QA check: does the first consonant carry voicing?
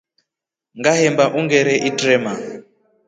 yes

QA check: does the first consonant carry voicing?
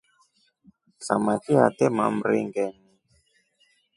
no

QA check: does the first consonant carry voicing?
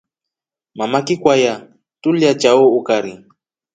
yes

